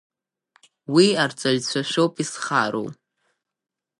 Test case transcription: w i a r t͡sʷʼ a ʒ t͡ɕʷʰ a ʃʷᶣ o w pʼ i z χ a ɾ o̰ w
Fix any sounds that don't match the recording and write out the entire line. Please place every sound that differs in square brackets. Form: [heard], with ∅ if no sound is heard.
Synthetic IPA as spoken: w i a r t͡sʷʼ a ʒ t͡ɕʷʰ a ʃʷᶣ o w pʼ i [s] χ a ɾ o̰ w